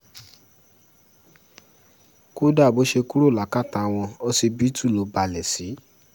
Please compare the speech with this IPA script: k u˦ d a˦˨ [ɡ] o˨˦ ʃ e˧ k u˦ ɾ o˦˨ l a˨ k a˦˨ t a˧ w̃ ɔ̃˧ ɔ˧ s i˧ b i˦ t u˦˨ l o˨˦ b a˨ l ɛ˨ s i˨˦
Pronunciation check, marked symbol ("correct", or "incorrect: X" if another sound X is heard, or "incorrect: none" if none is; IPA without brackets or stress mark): incorrect: b